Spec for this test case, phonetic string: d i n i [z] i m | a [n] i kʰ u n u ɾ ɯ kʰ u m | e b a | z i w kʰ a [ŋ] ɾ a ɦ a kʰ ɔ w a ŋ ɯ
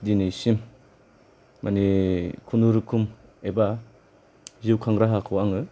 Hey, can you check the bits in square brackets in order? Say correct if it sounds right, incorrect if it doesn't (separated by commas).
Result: incorrect, correct, correct